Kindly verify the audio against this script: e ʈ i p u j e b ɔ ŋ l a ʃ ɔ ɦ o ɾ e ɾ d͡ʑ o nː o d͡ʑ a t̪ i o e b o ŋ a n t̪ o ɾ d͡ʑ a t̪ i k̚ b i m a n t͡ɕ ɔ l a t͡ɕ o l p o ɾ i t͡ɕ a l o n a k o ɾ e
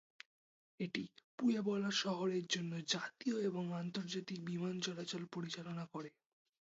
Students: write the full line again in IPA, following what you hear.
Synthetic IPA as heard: e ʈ i p u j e b ɔ l a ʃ ɔ ɦ o ɾ e ɾ d͡ʑ o nː o d͡ʑ a t̪ i o e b o ŋ a n t̪ o ɾ d͡ʑ a t̪ i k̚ b i m a n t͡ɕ ɔ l a t͡ɕ o l p o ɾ i t͡ɕ a l o n a k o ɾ e

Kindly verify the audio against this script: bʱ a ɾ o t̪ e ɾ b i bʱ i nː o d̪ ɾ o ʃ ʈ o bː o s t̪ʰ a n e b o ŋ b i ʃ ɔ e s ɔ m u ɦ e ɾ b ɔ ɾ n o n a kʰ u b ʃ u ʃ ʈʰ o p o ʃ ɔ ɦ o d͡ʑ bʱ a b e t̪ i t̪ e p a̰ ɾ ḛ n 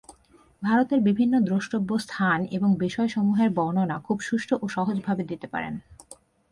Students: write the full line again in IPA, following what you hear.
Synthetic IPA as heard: bʱ a ɾ o t̪ e ɾ b i bʱ i nː o d̪ ɾ o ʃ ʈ o bː o s t̪ʰ a n e b o ŋ b i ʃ ɔ e ʃ ɔ m u ɦ e ɾ b ɔ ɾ n o n a kʰ u b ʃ u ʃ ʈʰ o ʔ o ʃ ɔ ɦ o d͡ʑ bʱ a b e d̪ i t̪ e p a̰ ɾ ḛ n

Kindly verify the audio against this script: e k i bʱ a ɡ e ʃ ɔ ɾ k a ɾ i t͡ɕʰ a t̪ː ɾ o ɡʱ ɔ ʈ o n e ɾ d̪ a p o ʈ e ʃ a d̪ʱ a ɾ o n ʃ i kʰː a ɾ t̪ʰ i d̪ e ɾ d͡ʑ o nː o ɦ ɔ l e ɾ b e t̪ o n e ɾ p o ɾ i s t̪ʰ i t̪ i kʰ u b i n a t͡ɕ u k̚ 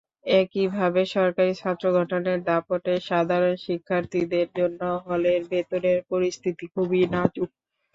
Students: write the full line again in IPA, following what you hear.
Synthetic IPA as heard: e k i bʱ a b e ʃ ɔ ɾ k a ɾ i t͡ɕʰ a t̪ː ɾ o ɡʱ ɔ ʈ o n e ɾ d̪ a p o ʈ e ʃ a d̪ʱ a ɾ o n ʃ i kʰː a ɾ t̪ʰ i d̪ e ɾ d͡ʑ o nː o ɦ ɔ l e ɾ b e t̪ o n e ɾ p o ɾ i s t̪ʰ i t̪ i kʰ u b i n a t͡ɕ u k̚

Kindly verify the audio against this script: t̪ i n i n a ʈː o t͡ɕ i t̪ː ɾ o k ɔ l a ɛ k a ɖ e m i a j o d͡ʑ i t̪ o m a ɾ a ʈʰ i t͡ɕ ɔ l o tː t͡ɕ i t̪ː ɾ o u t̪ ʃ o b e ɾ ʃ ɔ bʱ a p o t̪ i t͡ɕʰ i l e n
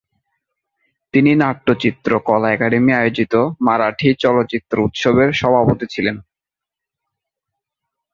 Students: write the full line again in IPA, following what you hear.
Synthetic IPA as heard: t̪ i n i n a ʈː o t͡ɕ i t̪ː ɾ o k ɔ l a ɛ k a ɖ e m i a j o d͡ʑ i t̪ o m a ɾ a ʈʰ i t͡ɕ ɔ l o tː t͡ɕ i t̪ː ɾ o u t̪ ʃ o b e ɾ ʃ ɔ bʱ a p o t̪ i t͡ɕʰ i l e n

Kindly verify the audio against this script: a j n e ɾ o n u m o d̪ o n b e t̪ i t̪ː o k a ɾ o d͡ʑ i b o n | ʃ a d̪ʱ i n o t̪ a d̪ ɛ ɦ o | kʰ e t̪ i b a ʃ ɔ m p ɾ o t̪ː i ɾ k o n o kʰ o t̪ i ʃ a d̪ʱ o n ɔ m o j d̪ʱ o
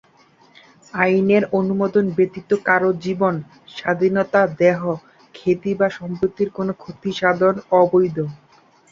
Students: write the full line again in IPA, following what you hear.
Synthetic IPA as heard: a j n e ɾ o n u m o d̪ o n b e t̪ i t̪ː o k a ɾ o d͡ʑ i b o n | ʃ a d̪ʱ i n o t̪ a d̪ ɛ ɦ o | kʰ e t̪ i b a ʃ ɔ m p ɾ o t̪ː i ɾ k o n o kʰ o t̪ i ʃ a d̪ʱ o n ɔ b o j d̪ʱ o

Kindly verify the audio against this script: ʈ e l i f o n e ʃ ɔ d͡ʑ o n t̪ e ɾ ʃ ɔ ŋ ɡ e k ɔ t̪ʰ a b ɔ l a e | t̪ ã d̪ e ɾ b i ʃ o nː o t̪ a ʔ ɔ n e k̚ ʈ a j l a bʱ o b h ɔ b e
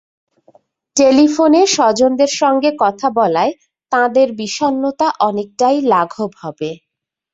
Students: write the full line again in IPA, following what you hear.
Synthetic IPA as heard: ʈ e l i f o n e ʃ ɔ d͡ʑ o n d̪ e ɾ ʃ ɔ ŋ ɡ e k ɔ t̪ʰ a b ɔ l a e | t̪ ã d̪ e ɾ b i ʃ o nː o t̪ a ʔ ɔ n e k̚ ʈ a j l a ɡʱ o b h ɔ b e

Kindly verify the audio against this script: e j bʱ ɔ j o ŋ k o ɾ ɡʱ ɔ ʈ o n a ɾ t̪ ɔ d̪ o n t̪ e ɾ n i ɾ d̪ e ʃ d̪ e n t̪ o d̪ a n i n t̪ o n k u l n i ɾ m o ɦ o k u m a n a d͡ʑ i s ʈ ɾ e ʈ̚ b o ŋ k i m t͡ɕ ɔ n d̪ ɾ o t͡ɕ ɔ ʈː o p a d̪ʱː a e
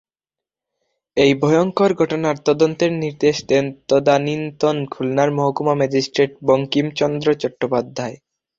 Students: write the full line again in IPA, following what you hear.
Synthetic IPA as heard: e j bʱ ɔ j o ŋ k o ɾ ɡʱ ɔ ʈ o n a ɾ t̪ ɔ d̪ o n t̪ e ɾ n i ɾ d̪ e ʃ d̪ e n t̪ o d̪ a n i n t̪ o n kʰ u l n a ɾ m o ɦ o k u m a m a d͡ʑ i s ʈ ɾ e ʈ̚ b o ŋ k i m t͡ɕ ɔ n d̪ ɾ o t͡ɕ ɔ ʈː o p a d̪ʱː a e

